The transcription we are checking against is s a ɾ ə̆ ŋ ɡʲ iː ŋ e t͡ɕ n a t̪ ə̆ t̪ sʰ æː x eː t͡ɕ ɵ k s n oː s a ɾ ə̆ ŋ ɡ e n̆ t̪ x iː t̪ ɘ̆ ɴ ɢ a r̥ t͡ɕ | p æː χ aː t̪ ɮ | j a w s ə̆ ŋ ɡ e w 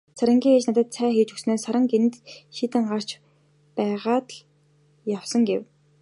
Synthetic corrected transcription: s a ɾ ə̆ ŋ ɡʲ iː ŋ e t͡ɕ n a t̪ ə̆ t̪ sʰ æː x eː t͡ɕ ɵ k s n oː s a ɾ ə̆ ŋ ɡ e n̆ t̪ ʃ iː t̪ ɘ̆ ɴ ɢ a r̥ t͡ɕ | p æː ʁ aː t̪ ɮ | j a w s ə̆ ŋ ɡ e w